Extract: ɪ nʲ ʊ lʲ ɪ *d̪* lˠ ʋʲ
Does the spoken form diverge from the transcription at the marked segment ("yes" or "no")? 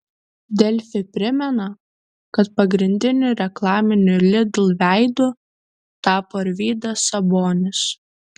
no